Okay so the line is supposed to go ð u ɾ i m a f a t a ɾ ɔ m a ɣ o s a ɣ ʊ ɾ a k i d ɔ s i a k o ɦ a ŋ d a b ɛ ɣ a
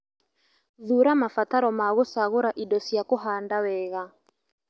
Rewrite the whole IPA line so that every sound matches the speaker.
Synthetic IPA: ð u ɾ a m a f a t a ɾ ɔ m a ɣ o s a ɣ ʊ ɾ a ʔ i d ɔ s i a k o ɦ a n d a w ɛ ɣ a